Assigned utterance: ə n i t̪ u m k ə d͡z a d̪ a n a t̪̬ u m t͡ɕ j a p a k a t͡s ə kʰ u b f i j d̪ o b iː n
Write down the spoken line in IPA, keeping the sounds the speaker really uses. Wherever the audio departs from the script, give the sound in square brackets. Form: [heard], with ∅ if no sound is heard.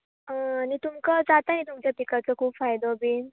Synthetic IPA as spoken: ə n i t̪ u m k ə d͡z a [t̪] a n [i] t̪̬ u m t͡ɕ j a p [i] k a t͡s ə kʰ [uː] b f [a] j d̪ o b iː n